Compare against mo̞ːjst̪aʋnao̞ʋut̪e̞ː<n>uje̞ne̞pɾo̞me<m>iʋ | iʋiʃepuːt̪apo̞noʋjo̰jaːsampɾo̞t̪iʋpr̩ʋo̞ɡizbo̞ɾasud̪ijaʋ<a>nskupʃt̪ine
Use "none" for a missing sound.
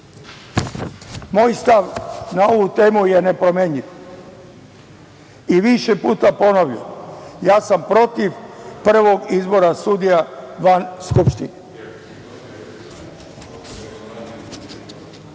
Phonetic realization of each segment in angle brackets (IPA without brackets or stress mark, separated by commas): m, ɲ, a